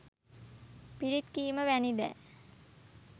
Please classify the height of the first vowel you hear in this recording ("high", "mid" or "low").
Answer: high